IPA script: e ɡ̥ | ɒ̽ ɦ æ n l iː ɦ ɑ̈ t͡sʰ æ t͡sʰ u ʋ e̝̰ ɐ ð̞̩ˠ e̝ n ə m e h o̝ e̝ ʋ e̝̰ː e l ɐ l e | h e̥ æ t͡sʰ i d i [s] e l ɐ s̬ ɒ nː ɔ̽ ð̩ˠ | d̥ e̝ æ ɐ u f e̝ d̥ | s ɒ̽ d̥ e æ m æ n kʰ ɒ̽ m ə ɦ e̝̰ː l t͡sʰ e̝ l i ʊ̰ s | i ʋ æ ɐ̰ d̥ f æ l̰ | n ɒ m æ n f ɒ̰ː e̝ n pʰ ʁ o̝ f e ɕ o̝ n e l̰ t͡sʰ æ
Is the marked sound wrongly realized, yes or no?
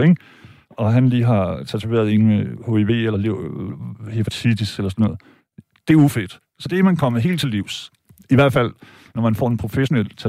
no